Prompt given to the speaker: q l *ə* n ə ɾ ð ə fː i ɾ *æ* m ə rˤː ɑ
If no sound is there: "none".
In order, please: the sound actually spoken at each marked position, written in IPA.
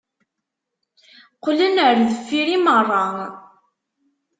ə, i

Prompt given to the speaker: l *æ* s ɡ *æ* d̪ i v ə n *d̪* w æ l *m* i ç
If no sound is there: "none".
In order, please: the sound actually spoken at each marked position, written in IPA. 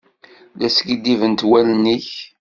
æ, i, t̪, n

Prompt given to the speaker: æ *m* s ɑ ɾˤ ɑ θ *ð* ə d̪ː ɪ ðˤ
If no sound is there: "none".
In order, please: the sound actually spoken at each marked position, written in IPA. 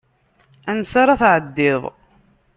n, ʕ

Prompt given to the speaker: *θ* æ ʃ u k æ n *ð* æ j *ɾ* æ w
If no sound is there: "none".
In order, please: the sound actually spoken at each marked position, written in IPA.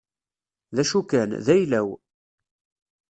ð, ð, l

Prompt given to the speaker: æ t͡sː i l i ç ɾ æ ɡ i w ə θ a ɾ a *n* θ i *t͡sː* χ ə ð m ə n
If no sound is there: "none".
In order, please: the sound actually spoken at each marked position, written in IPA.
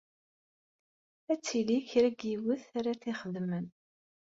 none, none

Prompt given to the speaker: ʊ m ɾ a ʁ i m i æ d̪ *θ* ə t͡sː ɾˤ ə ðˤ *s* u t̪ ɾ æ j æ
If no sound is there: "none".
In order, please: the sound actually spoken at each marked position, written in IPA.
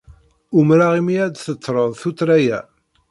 θ, θ

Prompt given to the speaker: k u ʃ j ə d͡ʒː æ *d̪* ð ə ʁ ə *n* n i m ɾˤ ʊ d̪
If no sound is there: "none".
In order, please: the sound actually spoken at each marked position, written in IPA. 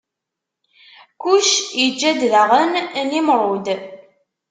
d̪, n

